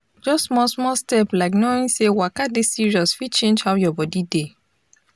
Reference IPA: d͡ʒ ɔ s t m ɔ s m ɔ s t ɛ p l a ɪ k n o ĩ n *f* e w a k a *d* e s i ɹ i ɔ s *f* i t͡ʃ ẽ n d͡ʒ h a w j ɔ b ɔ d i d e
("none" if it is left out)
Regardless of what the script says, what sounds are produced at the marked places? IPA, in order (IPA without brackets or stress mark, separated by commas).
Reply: s, d, f